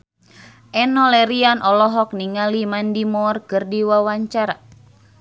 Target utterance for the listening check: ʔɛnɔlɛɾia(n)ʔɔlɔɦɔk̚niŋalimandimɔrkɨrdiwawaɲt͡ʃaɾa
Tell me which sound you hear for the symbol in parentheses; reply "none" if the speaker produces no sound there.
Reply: n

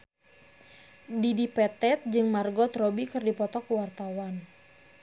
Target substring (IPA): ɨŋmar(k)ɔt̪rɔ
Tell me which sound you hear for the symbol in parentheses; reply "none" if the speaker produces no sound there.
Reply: ɡ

